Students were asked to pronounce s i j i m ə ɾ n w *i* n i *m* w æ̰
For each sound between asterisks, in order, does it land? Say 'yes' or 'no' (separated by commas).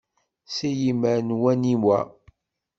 no, yes